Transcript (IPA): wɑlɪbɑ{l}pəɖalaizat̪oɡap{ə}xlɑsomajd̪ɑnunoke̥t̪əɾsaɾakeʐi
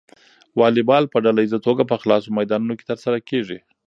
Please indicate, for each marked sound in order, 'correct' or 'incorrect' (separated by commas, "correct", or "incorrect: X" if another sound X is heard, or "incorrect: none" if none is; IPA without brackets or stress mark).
correct, correct